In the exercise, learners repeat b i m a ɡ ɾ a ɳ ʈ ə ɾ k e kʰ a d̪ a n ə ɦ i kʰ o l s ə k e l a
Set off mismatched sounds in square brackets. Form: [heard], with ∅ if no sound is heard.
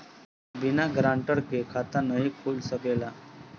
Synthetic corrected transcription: b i [n] a ɡ ɾ a ɳ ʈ ə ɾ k e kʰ a [t̪] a n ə ɦ i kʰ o l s ə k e l a